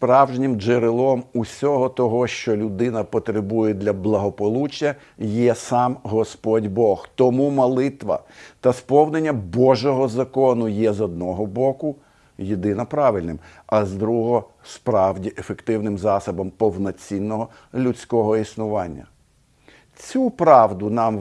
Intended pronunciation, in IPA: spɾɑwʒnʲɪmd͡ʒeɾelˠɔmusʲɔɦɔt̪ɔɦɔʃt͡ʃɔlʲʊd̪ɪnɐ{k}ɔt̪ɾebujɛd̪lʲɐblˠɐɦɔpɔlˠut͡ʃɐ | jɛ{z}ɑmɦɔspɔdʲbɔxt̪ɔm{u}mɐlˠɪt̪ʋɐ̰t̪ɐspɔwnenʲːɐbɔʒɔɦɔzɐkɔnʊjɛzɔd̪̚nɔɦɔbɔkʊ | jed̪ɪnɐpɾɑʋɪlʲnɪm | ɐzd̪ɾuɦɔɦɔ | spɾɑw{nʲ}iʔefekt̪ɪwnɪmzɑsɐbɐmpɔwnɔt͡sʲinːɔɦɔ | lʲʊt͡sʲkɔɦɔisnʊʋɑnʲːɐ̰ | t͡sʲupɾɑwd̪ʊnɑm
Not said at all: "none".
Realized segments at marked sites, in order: p, s, u, dʲ

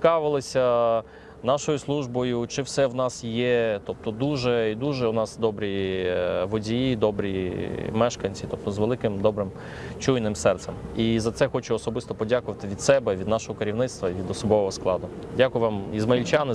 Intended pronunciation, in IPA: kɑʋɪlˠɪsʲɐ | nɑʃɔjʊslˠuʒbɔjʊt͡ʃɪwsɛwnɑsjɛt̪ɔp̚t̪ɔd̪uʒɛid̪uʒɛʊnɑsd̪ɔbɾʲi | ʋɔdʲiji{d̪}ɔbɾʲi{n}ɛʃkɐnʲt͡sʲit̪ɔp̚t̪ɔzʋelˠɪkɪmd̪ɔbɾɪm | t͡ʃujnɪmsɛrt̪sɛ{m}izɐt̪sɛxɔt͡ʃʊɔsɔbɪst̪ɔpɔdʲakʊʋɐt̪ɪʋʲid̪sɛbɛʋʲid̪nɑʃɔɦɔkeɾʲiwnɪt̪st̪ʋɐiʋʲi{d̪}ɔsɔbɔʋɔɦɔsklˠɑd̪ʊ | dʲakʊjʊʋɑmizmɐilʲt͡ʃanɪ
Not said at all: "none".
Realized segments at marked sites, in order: d̪, m, m, d̪

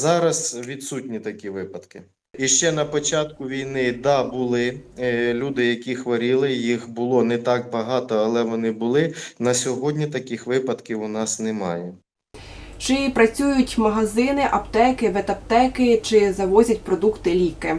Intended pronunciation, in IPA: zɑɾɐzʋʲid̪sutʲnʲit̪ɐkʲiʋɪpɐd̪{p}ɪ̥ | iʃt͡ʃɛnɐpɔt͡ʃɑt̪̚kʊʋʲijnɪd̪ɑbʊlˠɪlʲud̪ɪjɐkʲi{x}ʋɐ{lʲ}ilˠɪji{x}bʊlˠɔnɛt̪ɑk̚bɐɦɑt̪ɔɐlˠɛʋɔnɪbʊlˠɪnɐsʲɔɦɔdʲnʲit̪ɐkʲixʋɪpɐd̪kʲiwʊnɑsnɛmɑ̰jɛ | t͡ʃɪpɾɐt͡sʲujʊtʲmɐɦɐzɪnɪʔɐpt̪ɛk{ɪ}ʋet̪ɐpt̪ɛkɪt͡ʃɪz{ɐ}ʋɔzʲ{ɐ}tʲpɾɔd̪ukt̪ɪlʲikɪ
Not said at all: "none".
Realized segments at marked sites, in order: k, x, ɾʲ, x, ɪ, ɐ, ɐ

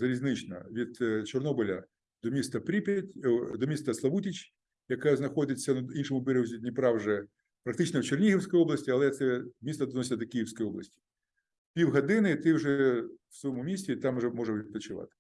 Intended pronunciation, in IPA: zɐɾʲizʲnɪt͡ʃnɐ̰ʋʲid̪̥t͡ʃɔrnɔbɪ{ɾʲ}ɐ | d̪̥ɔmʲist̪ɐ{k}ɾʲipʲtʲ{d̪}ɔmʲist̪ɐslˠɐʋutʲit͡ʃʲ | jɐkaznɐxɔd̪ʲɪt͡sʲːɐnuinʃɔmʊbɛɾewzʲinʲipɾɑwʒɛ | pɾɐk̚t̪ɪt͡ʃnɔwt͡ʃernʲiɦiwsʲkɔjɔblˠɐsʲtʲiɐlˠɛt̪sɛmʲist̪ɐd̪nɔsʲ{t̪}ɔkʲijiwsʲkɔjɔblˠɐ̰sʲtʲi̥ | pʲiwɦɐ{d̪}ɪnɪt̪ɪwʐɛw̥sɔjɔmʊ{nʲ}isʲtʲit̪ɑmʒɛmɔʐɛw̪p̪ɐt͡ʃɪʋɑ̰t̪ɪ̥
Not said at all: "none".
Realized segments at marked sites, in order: lʲ, p, d̪, d̪, d̪, mʲ

